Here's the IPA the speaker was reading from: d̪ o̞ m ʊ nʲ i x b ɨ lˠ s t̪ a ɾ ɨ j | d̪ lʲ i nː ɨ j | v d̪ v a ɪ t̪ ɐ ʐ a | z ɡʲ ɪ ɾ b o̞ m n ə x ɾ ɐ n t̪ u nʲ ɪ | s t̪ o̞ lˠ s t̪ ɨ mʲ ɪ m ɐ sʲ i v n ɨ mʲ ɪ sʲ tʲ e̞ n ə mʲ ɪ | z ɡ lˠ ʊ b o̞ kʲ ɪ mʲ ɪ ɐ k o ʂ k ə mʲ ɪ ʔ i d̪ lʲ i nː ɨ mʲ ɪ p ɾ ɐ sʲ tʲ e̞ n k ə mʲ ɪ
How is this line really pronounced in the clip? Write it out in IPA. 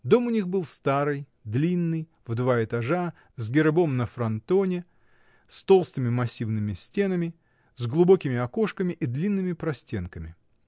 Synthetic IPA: d̪ o̞ m ʊ nʲ i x b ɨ lˠ s t̪ a ɾ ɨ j | d̪ lʲ i nː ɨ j | v d̪ v a ɪ t̪ ɐ ʐ a | z ɡʲ ɪ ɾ b o̞ m n ə f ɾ ɐ n t̪ o nʲ ɪ | s t̪ o̞ lˠ s t̪ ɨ mʲ ɪ m ɐ sʲ i v n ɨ mʲ ɪ sʲ tʲ e̞ n ə mʲ ɪ | z ɡ lˠ ʊ b o̞ kʲ ɪ mʲ ɪ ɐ k o ʂ k ə mʲ ɪ ʔ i d̪ lʲ i nː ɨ mʲ ɪ p ɾ ɐ sʲ tʲ e̞ n k ə mʲ ɪ